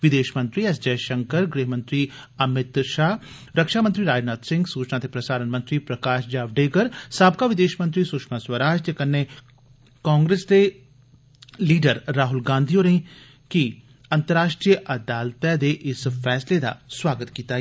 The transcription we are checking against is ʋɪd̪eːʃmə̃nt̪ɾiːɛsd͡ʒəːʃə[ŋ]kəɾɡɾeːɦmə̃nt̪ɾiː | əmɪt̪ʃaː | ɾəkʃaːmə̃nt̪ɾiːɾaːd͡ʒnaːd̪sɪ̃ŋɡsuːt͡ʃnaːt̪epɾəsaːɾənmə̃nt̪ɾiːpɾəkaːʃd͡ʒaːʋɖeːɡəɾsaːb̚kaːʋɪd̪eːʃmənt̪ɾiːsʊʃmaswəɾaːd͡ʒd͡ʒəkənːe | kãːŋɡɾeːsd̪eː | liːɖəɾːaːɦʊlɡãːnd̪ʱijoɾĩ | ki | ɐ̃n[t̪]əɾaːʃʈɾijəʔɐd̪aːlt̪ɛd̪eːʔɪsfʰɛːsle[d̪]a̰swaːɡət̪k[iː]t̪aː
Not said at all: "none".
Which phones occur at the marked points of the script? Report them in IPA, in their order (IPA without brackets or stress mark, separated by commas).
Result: ŋ, t̪, d̪, iː